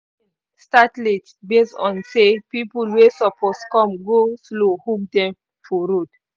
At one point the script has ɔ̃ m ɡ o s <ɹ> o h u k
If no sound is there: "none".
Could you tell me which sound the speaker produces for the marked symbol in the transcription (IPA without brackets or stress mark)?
l